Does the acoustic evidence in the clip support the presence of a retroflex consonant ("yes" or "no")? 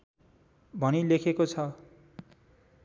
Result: no